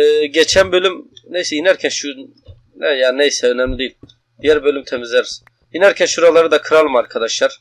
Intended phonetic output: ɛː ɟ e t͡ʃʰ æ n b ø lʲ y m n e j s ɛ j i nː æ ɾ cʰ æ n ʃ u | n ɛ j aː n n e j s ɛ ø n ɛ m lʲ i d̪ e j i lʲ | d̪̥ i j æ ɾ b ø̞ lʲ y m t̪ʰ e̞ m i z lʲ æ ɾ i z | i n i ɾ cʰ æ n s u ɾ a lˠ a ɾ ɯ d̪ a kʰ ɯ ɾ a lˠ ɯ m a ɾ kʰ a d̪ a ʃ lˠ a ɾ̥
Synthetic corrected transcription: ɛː ɟ e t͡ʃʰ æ n b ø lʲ y m n e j s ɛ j i n æ ɾ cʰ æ n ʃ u | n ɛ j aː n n e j s ɛ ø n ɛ m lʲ i d̪ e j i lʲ | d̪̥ i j æ ɾ b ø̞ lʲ y m t̪ʰ e̞ m i z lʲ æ ɾ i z | i n æ ɾ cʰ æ n ʃ u ɾ a lˠ a ɾ ɯ d̪ a kʰ ɯ ɾ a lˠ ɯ m a ɾ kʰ a d̪ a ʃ lˠ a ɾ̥